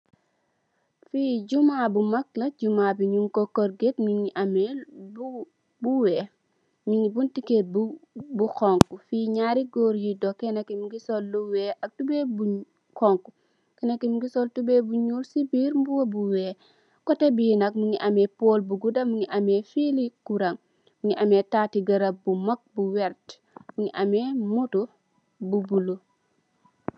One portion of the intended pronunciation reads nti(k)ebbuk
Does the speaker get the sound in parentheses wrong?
no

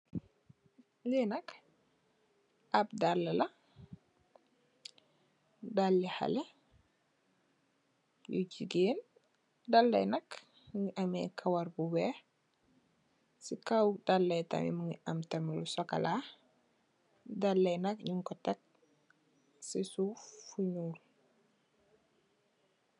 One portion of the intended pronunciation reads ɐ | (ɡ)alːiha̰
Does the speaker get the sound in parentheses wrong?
yes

